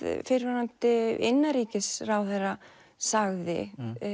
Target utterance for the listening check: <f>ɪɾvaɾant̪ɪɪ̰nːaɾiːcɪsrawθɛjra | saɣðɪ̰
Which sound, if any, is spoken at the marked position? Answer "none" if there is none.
f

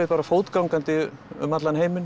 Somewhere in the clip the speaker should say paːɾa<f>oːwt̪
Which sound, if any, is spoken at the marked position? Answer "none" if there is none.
f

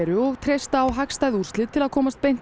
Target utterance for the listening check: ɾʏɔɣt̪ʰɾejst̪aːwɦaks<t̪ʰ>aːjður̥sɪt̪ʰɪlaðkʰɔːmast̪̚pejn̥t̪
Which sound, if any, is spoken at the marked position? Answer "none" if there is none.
t̪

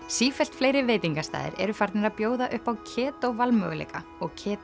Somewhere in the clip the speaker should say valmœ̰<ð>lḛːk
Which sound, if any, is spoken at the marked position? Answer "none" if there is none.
ɣ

